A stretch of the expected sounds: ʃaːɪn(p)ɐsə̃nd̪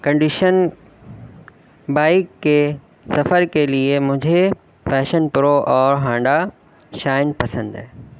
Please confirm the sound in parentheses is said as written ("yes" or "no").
yes